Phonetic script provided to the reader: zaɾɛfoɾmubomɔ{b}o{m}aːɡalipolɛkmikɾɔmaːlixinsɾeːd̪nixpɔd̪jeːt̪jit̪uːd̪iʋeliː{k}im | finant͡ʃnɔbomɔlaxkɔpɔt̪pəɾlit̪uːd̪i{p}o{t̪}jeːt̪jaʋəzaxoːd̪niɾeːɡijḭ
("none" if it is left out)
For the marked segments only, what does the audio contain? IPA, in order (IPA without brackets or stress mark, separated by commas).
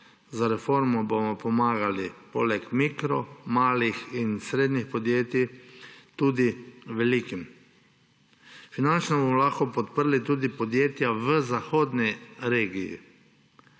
p, m, k, p, d̪